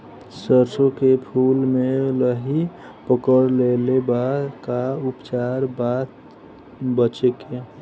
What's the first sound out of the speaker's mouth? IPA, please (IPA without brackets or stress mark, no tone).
s